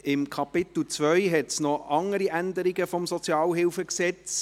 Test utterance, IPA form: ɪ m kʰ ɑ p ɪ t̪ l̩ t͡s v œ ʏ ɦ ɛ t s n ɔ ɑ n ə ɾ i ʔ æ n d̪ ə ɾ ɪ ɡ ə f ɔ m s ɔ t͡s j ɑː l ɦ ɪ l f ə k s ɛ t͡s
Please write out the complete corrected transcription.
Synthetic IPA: ɪ m kʰ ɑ p ɪ t̪ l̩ t͡s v œ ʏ ɦ ɛ t s n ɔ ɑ ŋ ə ɾ i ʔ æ n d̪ ə ɾ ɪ ɡ ə f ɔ m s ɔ t͡s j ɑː l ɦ ɪ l f ə k s ɛ t͡s